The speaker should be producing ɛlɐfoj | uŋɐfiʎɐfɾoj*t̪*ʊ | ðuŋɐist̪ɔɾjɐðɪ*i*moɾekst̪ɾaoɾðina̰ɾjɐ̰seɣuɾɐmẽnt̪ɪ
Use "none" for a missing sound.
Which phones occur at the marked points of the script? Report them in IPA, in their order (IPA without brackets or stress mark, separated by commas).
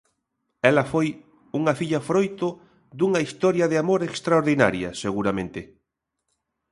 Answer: t̪, a